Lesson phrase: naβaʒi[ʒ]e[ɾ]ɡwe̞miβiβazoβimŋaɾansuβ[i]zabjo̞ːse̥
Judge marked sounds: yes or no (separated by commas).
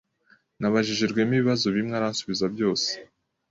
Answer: yes, yes, yes